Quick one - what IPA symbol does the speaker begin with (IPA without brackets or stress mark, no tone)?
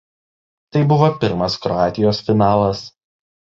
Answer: t̪